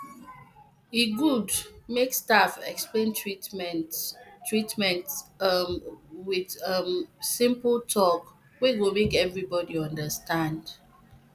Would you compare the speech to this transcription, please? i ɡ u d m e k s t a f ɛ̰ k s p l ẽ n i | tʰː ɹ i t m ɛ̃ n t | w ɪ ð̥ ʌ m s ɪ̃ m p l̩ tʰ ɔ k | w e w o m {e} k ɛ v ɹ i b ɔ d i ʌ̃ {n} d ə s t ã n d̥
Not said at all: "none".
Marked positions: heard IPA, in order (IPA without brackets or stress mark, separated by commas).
e, n